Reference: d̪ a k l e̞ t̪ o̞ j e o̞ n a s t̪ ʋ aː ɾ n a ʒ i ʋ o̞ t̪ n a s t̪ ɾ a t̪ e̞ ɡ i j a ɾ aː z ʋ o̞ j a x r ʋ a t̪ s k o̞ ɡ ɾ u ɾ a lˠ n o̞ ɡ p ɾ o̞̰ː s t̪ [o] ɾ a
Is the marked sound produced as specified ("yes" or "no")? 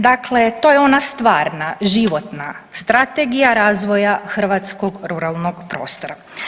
yes